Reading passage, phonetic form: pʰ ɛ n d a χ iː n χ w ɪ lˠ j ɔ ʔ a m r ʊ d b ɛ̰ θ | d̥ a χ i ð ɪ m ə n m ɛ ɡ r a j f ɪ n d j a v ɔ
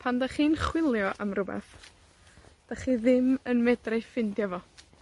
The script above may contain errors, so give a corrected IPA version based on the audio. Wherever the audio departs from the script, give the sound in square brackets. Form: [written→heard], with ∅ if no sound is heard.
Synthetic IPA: pʰ [ɛ→a] n d a χ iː n χ w ɪ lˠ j ɔ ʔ a m r ʊ [d→∅] b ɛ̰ θ | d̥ a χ i ð ɪ m ə n m ɛ [ɡ→d] r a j f ɪ n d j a v ɔ

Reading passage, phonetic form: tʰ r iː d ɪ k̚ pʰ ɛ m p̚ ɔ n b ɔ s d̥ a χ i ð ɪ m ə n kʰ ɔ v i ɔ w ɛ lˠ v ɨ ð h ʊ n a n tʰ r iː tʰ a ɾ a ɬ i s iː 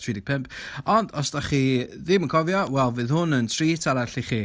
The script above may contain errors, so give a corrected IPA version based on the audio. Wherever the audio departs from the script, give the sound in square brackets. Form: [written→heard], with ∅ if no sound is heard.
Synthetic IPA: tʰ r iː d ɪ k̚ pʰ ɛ m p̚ ɔ n [b→d] ɔ s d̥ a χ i ð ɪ m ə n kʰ ɔ v [i→j] ɔ w ɛ lˠ v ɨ ð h ʊ n [a→ə] n tʰ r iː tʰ a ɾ a ɬ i [s→χ] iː

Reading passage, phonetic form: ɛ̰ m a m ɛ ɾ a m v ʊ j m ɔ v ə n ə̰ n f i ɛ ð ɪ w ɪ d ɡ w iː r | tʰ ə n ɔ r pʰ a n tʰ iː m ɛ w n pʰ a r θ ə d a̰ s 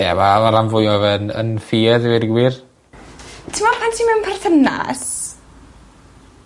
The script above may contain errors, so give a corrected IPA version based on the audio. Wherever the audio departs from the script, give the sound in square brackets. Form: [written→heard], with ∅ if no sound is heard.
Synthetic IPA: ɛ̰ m a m [ɛ→a] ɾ a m v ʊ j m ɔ v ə n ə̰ n f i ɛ ð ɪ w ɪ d ɡ w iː r | tʰ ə [n→m] ɔ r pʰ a n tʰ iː m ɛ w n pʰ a r θ ə [d→n] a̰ s

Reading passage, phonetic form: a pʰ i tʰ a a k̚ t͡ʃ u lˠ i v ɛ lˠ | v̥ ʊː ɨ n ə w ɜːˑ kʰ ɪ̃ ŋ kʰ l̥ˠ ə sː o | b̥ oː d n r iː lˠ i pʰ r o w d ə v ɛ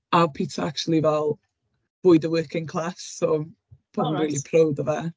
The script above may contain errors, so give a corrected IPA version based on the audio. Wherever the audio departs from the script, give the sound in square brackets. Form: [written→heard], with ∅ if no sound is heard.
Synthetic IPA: a pʰ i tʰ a a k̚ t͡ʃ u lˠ i v ɛ lˠ | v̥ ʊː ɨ [n→d] ə w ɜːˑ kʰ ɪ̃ ŋ kʰ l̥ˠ [ə→a] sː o | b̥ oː d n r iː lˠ i pʰ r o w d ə v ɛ

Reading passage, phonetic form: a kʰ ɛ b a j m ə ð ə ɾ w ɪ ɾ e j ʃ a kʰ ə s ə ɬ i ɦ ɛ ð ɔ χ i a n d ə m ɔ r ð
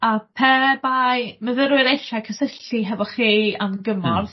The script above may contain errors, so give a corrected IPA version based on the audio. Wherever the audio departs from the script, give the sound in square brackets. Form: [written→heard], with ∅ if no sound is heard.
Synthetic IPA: a [kʰ→pʰ] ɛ b a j m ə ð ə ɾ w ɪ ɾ e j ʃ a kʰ ə s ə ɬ i ɦ ɛ [ð→v] ɔ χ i a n [d→ɡ] ə m ɔ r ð

